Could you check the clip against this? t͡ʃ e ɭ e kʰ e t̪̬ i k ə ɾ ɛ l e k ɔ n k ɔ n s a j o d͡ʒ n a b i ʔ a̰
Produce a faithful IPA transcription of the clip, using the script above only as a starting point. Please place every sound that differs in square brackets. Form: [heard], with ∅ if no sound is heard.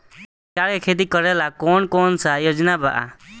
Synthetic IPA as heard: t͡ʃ [a] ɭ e kʰ e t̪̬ i k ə ɾ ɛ l [a] k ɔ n k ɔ n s a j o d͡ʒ n a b [a] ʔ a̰